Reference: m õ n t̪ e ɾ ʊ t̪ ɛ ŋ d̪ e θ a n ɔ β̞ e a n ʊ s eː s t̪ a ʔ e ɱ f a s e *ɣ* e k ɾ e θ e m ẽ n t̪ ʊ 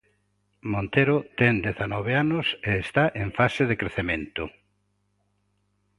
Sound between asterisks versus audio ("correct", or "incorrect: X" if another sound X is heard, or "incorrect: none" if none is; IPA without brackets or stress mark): incorrect: ð